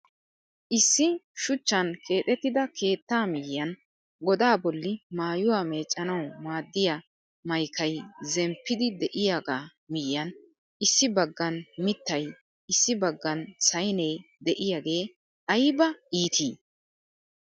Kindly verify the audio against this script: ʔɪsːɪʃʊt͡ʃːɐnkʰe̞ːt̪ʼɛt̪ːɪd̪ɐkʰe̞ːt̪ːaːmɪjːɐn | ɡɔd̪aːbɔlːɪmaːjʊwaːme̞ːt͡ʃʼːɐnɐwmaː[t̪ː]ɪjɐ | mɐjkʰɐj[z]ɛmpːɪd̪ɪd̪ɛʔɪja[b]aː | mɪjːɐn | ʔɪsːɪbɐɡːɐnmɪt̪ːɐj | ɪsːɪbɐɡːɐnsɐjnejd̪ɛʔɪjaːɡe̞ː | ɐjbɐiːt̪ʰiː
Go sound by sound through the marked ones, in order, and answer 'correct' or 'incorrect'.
incorrect: d̪ː, correct, incorrect: ɡ

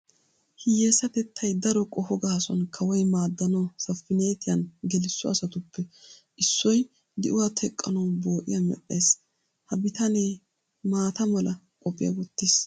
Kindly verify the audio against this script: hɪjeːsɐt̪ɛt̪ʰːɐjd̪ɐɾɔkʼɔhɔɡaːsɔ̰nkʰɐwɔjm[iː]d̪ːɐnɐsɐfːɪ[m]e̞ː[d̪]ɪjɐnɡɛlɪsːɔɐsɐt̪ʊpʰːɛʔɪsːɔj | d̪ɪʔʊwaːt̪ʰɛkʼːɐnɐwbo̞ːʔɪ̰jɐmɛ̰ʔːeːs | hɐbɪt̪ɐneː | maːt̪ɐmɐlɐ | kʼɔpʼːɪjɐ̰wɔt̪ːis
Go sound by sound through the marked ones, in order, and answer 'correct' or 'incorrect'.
incorrect: aː, incorrect: n, incorrect: t̪

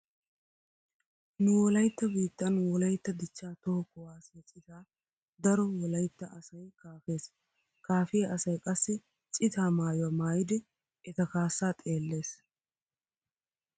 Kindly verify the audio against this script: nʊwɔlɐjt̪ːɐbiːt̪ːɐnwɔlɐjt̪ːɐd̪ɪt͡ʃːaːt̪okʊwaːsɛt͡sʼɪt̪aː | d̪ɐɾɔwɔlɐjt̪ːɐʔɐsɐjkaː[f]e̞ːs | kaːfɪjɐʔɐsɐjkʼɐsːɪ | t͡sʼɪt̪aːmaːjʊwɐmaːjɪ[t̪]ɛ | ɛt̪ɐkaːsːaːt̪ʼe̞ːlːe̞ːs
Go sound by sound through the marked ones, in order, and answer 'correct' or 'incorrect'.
correct, incorrect: d̪

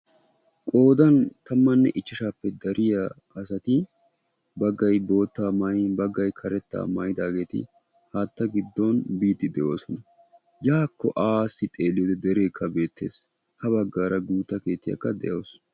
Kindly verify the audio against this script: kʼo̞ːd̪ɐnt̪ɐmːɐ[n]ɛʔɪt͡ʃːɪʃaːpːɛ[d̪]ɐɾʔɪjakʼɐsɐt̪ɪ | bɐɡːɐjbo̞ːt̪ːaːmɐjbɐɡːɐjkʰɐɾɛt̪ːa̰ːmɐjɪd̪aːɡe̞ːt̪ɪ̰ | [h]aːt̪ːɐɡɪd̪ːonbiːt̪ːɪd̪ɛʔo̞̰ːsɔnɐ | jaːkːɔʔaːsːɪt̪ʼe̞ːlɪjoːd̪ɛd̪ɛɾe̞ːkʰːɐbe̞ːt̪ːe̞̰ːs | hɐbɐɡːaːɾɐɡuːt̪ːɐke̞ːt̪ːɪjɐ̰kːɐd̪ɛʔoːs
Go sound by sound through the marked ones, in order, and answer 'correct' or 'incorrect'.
incorrect: nː, correct, correct

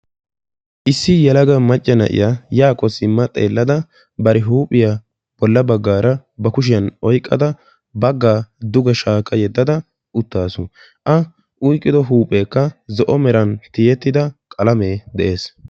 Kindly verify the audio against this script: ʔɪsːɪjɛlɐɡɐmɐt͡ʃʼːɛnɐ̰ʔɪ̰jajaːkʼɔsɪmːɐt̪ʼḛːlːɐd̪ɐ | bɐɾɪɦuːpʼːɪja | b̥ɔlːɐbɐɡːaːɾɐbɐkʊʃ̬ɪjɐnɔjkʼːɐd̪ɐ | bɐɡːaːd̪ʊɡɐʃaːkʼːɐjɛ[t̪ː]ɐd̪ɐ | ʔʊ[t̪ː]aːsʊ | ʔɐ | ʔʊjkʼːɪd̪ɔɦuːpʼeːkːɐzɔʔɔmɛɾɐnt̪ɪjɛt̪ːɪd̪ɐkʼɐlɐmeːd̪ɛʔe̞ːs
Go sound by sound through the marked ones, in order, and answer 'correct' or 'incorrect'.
incorrect: d̪ː, correct

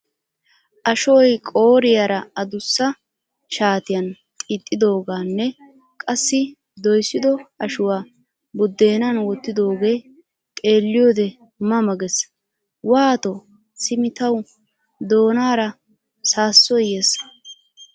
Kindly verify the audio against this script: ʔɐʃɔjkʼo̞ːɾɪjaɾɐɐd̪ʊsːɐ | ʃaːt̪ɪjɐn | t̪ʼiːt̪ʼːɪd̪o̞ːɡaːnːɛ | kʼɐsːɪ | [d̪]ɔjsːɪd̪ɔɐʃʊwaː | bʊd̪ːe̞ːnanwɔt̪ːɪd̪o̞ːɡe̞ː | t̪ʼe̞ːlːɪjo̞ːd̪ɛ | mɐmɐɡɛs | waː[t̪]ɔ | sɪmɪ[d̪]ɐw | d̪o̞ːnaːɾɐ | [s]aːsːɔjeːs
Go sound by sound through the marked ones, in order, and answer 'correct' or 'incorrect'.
correct, correct, incorrect: t̪, correct

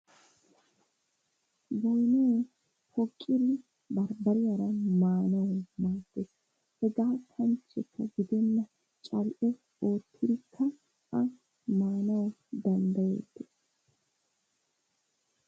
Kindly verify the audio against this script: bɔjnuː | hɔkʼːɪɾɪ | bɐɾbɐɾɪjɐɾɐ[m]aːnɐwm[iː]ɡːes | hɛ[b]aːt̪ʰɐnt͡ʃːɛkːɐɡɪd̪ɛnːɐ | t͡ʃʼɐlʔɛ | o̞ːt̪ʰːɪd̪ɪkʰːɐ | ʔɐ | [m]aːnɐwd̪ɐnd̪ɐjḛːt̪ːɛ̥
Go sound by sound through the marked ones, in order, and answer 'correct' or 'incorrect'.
correct, incorrect: aː, incorrect: ɡ, correct

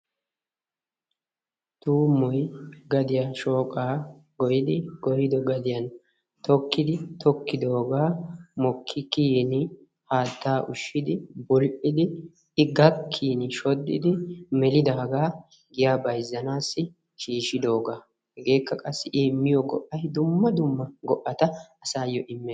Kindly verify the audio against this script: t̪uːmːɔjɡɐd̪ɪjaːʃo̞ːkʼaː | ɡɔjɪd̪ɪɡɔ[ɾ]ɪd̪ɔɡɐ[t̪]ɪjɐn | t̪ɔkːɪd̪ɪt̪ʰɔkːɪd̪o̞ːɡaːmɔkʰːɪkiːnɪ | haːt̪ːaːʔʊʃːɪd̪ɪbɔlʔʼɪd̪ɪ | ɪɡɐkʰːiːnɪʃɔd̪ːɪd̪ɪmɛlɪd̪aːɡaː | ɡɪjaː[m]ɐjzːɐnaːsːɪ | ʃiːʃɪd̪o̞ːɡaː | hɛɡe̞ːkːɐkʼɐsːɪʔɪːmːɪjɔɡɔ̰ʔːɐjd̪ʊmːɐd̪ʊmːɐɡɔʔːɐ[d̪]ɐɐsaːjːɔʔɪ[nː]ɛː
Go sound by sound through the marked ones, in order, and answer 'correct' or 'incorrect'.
correct, incorrect: d̪, incorrect: b, incorrect: t̪, incorrect: mː

